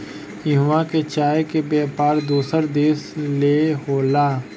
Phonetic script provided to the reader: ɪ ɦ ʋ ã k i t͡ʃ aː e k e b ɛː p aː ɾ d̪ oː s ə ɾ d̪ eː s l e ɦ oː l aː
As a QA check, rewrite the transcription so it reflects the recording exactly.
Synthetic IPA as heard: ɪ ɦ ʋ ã k e t͡ʃ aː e k e b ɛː p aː ɾ d̪ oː s ə ɾ d̪ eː s l e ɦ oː l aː